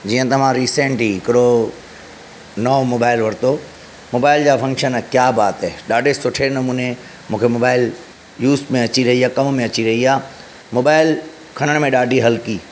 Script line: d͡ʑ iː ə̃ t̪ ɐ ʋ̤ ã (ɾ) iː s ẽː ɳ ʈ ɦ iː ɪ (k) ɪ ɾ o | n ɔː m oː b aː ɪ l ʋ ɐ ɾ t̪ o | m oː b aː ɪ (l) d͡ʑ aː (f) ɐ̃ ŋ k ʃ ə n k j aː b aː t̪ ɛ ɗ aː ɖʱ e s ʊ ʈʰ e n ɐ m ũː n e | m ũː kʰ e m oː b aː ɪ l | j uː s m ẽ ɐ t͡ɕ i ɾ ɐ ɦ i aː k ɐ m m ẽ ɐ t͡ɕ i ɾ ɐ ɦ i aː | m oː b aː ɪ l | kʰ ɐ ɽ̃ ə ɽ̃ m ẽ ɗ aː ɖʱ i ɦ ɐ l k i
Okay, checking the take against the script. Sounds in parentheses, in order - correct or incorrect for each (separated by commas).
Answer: correct, correct, correct, correct